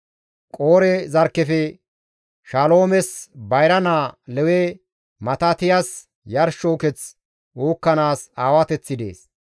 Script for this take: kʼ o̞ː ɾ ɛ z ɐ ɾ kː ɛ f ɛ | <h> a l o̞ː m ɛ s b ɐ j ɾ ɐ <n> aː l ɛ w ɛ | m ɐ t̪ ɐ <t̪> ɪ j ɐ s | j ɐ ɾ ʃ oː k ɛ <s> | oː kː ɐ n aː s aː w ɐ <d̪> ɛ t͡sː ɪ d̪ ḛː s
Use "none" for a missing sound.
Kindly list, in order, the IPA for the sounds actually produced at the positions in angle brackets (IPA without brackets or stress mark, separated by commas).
ʃ, n, t̪, t͡s, t̪